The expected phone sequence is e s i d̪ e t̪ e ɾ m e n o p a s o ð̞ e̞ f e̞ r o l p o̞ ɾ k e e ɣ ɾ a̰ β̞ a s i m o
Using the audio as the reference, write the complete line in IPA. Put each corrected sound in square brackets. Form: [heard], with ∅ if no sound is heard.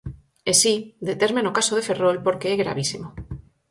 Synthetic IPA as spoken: e s i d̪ e t̪ e ɾ m e n o [k] a s o ð̞ e̞ f e̞ r o l p o̞ ɾ k e e ɣ ɾ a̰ β̞ [i] s i m o